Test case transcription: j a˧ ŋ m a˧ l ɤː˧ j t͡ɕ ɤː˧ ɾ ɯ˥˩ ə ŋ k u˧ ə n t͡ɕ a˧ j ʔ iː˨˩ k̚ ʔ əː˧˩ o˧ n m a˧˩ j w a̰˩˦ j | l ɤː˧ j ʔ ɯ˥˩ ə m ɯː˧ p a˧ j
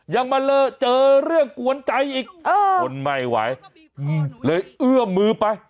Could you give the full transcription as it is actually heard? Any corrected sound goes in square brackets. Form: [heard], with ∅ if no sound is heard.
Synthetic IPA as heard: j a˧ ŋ m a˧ l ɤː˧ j t͡ɕ ɤː˧ ɾ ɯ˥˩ ə ŋ k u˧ ə n t͡ɕ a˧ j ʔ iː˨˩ k̚ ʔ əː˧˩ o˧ n m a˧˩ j w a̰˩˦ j | l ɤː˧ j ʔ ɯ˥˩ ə m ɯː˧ p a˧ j